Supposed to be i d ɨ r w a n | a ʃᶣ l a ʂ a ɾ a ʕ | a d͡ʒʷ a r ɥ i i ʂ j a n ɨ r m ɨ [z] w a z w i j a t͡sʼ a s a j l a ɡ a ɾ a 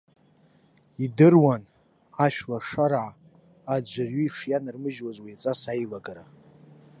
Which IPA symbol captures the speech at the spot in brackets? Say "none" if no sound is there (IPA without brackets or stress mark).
ʒ